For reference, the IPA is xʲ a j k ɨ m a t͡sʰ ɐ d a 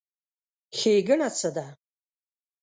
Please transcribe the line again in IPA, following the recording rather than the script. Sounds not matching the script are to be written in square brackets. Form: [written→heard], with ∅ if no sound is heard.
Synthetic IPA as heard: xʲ [a→e] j [k→ɡ] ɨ [m→n] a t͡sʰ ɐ d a